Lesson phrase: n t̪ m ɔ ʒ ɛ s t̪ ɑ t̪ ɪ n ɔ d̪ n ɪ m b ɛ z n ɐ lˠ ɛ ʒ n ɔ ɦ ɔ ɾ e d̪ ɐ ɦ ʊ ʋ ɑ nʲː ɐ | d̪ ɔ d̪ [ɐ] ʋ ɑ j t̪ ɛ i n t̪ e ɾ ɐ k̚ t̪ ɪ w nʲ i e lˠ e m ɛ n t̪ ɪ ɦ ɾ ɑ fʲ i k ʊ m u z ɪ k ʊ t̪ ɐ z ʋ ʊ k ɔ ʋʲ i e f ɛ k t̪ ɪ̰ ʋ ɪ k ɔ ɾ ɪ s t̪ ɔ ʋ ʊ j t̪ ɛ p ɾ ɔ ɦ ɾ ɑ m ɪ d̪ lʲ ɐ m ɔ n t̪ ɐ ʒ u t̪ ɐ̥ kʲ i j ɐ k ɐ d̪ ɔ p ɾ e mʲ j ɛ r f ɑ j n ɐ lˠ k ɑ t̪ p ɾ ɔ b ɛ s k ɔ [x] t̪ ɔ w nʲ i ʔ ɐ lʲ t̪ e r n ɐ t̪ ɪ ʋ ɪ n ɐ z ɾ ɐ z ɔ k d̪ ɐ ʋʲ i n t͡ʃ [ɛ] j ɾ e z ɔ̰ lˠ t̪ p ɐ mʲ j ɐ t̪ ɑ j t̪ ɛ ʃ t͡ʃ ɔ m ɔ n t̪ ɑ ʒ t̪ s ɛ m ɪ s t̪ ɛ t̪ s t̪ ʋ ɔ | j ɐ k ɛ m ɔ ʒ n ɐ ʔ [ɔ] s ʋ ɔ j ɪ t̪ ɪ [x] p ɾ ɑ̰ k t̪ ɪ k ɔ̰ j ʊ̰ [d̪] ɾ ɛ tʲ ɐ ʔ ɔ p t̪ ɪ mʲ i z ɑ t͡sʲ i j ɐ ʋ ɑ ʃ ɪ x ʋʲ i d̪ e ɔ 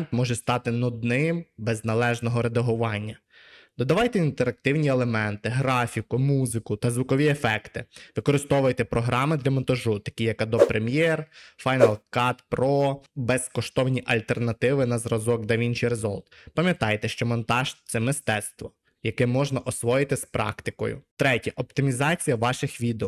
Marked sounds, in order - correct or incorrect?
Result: correct, incorrect: ʃ, incorrect: i, correct, incorrect: s, incorrect: t̪

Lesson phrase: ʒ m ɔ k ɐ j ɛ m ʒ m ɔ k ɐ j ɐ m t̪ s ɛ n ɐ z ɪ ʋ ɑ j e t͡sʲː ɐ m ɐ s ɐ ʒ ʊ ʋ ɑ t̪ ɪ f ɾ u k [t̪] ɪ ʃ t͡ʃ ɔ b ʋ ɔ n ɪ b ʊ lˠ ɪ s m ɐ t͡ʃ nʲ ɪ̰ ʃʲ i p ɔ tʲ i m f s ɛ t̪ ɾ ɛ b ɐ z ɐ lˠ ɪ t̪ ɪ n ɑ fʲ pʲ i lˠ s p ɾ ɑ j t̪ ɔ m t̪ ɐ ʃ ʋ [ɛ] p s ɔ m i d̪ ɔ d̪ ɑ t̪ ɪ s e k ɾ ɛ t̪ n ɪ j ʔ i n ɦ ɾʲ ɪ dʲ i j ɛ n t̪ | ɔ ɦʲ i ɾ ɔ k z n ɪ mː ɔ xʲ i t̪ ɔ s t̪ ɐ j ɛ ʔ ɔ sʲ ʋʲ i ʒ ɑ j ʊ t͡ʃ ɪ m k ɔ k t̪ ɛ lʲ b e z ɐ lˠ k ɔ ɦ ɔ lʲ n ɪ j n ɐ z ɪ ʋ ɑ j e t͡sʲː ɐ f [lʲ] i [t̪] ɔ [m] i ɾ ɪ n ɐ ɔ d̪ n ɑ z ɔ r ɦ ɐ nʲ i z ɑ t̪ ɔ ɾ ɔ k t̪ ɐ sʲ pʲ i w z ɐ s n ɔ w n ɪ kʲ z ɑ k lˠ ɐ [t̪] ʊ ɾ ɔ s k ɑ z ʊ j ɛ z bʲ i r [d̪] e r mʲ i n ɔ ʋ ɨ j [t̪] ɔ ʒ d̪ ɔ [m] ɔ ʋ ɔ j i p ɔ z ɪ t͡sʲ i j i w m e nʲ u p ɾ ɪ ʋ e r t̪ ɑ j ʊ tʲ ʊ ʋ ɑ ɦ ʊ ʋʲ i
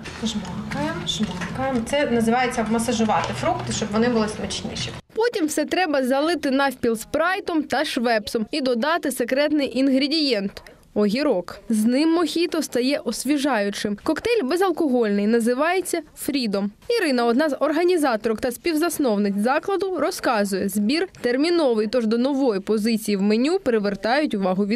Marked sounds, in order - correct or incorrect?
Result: correct, correct, incorrect: ɾʲ, incorrect: d̪, correct, incorrect: d̪, incorrect: t̪, correct, incorrect: n

